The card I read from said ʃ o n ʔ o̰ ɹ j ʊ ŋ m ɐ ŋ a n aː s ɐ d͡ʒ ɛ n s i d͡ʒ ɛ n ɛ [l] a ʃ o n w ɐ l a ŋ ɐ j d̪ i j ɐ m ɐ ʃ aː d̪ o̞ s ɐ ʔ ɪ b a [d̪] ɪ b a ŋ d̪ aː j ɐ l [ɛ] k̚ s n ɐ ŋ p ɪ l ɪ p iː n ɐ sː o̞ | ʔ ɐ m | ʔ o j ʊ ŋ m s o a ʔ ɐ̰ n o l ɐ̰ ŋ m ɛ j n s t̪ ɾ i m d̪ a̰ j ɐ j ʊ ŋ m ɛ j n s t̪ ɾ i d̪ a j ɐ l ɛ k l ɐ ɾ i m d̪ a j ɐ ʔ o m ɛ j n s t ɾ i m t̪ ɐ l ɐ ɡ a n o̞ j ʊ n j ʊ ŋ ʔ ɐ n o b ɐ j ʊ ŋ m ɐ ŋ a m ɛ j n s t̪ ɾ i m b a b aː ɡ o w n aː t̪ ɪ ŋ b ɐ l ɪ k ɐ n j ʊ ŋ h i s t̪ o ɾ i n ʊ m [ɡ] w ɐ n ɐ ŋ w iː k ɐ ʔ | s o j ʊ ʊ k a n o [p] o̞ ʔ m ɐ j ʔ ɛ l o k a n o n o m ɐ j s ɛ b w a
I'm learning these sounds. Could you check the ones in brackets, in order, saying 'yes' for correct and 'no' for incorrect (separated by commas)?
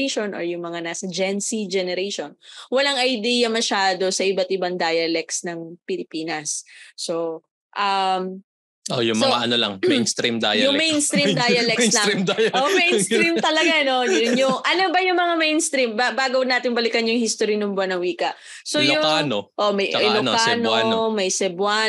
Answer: no, no, yes, no, no